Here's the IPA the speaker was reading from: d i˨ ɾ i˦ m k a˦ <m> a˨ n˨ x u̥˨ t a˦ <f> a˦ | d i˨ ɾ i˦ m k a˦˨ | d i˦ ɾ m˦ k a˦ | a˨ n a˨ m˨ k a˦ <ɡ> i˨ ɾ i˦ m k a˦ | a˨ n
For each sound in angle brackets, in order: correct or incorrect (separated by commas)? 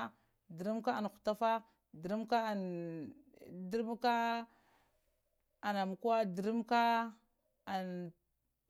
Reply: incorrect, correct, incorrect